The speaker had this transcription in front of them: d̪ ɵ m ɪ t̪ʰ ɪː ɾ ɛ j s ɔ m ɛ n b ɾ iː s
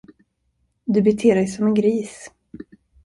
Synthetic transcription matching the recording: d̪ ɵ b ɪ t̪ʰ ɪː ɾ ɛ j s ɔ m ɛ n ɡ ɾ iː s